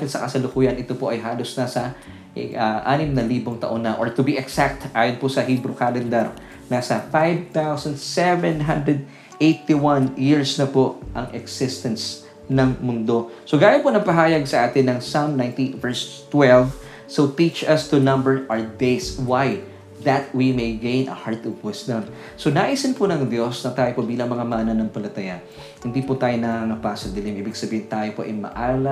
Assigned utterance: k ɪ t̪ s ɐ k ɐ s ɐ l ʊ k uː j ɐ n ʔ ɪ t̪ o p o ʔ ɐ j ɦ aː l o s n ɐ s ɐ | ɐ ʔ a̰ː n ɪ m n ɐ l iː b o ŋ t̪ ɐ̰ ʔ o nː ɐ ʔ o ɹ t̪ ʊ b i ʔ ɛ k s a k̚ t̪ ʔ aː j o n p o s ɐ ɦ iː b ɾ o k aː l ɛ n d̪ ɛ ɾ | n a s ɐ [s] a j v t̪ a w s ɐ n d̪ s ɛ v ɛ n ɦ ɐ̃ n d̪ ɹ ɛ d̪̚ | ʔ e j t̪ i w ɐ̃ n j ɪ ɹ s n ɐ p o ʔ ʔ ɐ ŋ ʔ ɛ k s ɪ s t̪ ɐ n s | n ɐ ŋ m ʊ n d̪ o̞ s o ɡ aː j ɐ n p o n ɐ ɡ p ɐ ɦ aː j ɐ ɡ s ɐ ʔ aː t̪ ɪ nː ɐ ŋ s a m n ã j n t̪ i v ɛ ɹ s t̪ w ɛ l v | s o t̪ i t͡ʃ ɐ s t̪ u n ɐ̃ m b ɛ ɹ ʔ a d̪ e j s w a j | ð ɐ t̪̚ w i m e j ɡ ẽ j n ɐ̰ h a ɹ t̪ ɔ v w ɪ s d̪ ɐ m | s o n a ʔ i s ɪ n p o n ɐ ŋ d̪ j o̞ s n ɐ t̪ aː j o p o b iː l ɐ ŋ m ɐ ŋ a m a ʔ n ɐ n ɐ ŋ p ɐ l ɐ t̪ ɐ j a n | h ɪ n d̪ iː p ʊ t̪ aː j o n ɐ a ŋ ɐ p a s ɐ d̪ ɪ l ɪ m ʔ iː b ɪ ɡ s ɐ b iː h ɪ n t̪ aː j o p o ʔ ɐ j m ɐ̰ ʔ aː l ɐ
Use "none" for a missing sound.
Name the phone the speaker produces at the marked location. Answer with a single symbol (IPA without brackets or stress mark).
f